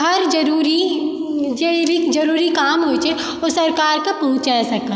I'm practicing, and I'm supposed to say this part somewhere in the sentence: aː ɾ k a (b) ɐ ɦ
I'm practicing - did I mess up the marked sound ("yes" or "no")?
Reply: yes